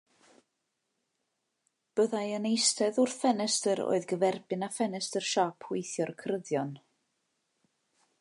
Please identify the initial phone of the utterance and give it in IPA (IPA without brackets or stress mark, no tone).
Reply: b̥